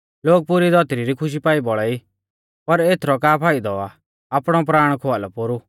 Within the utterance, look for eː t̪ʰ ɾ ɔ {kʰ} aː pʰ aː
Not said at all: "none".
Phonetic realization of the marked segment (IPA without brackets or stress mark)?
k